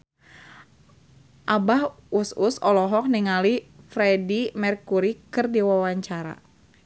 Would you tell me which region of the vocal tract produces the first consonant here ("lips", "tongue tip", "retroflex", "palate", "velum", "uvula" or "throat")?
throat